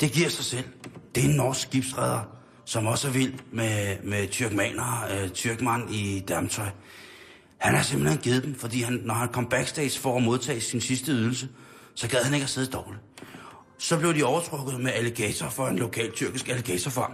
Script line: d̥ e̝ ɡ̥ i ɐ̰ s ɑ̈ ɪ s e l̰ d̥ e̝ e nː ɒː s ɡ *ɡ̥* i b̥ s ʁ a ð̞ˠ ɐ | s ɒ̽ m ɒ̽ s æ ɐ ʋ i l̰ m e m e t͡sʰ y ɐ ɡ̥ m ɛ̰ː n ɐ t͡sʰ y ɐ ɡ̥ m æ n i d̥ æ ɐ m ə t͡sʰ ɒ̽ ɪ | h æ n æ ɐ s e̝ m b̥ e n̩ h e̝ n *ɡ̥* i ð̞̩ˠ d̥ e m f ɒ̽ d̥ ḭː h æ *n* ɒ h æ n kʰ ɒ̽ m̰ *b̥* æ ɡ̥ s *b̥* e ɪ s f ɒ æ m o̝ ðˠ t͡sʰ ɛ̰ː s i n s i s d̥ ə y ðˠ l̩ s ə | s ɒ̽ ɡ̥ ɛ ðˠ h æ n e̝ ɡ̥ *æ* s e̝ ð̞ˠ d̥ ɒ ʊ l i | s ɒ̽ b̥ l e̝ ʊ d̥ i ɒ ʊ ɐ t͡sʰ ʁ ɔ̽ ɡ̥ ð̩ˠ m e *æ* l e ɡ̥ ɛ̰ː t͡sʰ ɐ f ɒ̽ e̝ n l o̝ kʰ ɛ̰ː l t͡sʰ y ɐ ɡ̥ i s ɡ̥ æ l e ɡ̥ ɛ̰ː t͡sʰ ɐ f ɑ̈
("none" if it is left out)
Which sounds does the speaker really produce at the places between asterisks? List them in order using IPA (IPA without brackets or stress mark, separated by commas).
ɡ̥, ɡ̥, nː, b̥, d̥, æ, æ